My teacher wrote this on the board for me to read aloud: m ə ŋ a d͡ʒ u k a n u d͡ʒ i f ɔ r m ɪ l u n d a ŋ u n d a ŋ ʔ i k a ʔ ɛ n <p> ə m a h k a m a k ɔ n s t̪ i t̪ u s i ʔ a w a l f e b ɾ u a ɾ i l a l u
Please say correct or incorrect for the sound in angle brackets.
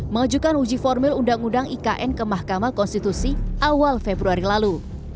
incorrect